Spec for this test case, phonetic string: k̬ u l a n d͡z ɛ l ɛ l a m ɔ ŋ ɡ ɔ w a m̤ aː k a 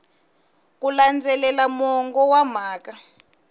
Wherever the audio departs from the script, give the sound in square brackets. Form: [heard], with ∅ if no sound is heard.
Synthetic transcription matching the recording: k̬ u l a n d͡z ɛ l ɛ l a m ɔ ŋ ɡ ɔ w a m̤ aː k a